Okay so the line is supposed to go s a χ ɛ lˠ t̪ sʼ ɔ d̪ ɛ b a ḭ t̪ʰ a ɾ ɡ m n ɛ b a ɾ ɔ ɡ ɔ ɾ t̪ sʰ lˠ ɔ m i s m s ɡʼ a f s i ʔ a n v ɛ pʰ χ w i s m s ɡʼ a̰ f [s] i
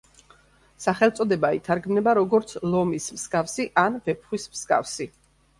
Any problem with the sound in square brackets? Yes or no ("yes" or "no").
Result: no